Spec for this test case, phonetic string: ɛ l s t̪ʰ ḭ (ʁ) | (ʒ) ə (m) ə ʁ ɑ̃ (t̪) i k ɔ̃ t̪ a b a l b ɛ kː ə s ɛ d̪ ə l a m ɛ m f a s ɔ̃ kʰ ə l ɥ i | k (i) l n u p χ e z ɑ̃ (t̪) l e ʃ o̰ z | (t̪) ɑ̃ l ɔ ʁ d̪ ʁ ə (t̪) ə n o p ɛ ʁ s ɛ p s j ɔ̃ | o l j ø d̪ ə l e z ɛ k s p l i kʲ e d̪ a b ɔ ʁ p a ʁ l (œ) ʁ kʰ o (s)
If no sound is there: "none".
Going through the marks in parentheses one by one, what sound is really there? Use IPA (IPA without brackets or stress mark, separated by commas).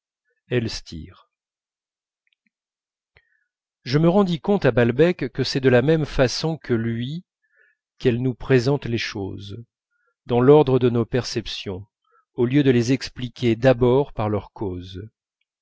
ʁ, ʒ, m, d̪, ɛ, t̪, d̪, d̪, œ, z